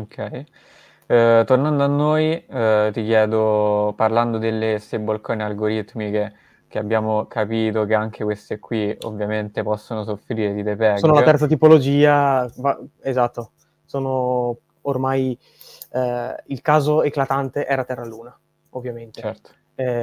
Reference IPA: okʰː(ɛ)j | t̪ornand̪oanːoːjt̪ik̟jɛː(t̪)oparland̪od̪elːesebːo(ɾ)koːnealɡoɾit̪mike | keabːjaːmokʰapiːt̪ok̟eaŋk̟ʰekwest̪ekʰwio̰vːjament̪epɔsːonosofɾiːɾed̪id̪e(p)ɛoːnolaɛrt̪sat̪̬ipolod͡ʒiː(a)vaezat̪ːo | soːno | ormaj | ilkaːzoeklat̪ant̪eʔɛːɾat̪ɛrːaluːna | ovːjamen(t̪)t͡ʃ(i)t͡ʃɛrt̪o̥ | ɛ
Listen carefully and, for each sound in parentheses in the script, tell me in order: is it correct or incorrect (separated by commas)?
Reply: correct, incorrect, incorrect, correct, correct, correct, incorrect